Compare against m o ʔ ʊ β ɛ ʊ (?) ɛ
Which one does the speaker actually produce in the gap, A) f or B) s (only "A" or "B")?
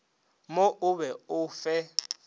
A